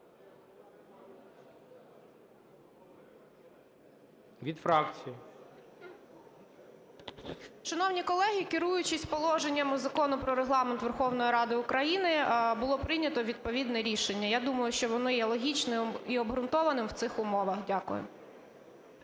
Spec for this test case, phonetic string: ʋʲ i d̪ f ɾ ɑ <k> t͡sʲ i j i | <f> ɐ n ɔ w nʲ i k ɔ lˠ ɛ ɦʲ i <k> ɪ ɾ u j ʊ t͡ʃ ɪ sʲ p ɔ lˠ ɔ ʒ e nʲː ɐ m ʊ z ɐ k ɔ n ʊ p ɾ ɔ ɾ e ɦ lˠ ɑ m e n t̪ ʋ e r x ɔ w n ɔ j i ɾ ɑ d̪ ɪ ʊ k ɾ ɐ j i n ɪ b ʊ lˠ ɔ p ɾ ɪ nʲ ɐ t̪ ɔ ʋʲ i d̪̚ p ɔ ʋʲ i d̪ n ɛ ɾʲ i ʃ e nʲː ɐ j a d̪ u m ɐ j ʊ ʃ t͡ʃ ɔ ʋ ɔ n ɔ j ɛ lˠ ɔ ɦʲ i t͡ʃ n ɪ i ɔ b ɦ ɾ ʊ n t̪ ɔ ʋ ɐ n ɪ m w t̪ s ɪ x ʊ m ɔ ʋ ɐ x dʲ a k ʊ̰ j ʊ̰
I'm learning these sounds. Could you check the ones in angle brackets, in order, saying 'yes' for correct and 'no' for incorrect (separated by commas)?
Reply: yes, no, yes